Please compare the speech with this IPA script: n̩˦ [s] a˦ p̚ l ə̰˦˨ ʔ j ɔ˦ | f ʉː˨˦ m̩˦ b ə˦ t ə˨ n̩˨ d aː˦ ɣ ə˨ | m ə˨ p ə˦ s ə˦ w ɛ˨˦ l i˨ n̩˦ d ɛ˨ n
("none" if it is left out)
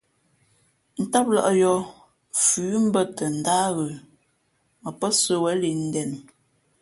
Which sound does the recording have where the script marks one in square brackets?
t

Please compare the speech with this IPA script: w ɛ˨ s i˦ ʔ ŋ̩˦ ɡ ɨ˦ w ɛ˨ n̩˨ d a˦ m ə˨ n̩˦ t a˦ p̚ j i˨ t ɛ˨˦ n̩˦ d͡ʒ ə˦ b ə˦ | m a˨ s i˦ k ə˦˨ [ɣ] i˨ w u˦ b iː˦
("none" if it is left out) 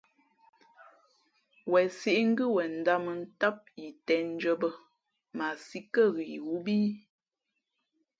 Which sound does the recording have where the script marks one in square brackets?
ɣ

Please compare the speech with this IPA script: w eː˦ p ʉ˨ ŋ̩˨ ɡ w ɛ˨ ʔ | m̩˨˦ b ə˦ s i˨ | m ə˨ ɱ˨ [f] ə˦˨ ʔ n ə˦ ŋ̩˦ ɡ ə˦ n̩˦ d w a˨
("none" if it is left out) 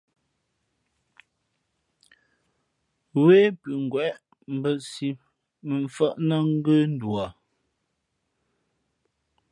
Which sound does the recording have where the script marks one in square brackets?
f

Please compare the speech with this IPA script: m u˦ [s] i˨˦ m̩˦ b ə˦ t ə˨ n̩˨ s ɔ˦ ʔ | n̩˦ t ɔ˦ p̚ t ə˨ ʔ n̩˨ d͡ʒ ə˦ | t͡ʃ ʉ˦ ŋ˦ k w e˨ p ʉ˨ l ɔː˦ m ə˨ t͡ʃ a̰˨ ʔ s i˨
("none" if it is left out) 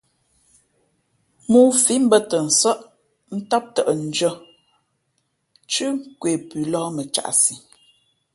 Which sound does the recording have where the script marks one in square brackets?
f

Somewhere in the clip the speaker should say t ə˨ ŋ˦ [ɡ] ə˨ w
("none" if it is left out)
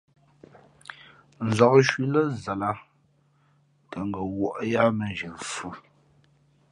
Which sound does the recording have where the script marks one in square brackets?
ɡ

